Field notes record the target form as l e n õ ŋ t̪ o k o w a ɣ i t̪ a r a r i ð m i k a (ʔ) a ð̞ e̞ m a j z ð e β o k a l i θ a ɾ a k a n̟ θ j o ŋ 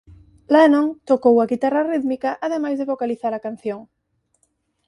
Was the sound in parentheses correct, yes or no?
yes